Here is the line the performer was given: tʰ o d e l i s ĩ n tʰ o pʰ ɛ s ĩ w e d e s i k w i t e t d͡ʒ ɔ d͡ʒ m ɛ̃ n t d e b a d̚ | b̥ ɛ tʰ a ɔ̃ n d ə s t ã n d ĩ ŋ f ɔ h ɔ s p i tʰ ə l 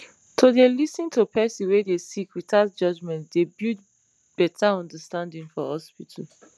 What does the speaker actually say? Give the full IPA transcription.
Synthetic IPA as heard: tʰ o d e l i s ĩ n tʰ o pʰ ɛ s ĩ w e d e s i k w i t a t d͡ʒ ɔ d͡ʒ m ɛ̃ n t d e b i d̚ | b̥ ɛ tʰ a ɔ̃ n d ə s t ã n d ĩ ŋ f ɔ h ɔ s p i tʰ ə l